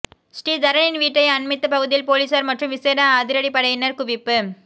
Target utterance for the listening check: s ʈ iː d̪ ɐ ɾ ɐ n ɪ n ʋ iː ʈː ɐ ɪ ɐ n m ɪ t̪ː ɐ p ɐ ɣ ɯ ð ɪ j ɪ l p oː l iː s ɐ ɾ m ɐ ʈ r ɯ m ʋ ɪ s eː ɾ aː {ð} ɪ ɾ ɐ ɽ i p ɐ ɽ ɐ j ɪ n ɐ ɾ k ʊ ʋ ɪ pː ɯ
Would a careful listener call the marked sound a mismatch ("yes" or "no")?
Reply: no